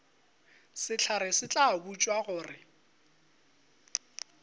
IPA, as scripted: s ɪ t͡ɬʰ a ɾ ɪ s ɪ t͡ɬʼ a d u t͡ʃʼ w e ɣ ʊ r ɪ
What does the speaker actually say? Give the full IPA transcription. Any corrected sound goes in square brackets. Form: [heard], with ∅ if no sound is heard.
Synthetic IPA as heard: s ɪ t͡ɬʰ a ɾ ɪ s ɪ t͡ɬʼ a [b] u t͡ʃʼ w [a] ɣ [ʊː] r ɪ